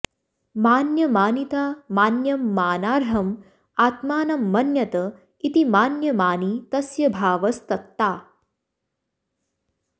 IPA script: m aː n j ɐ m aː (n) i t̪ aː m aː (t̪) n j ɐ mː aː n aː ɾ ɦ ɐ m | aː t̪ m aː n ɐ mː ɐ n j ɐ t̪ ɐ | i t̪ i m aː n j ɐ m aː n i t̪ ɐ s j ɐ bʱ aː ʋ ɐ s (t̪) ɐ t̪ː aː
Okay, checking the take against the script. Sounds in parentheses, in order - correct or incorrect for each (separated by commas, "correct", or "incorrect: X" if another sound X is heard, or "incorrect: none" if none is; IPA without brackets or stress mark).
correct, incorrect: none, correct